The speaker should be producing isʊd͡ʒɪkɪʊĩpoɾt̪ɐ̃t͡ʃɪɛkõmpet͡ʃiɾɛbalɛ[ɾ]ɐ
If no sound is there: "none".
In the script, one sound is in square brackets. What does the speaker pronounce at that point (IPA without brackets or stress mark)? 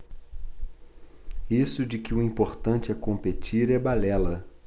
l